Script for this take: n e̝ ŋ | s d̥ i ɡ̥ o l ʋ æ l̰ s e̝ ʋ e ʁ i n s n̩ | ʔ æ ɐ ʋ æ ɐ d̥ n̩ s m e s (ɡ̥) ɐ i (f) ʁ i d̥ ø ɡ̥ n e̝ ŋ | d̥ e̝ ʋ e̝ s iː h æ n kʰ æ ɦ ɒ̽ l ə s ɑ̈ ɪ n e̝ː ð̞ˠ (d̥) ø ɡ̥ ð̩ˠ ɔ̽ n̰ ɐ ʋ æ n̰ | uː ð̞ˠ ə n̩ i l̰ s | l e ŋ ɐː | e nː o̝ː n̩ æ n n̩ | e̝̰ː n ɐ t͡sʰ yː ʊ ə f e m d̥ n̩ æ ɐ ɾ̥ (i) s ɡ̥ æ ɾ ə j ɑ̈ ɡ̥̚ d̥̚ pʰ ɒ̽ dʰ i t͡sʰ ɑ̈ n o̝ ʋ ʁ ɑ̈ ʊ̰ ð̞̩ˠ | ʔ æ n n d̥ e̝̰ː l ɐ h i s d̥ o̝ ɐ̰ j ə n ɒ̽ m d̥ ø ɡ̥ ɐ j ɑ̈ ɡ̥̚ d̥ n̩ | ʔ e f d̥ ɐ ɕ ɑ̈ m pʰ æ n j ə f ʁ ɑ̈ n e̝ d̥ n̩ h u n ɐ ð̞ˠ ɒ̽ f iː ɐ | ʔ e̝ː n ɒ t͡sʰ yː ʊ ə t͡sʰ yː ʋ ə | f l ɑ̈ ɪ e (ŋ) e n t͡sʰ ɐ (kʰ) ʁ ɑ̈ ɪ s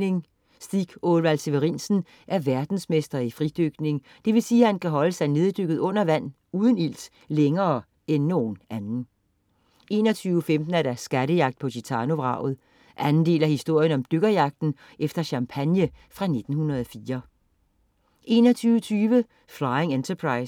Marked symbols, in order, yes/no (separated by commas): no, yes, yes, no, yes, no